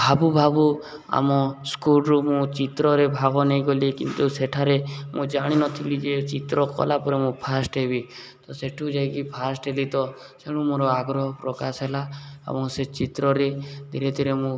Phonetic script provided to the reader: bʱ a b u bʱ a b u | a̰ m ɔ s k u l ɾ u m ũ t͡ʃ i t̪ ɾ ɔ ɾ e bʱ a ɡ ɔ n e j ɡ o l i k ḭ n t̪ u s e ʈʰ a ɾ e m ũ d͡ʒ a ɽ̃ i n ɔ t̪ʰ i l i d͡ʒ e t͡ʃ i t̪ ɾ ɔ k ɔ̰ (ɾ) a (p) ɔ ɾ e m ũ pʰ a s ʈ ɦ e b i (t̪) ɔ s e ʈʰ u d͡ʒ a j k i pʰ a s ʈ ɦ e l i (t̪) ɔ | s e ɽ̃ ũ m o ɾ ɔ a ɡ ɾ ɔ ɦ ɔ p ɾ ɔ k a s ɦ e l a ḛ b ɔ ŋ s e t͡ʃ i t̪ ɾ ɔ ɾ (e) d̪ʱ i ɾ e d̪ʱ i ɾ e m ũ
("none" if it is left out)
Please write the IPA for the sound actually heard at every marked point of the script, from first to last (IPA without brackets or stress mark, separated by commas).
l, p, t̪, t̪, e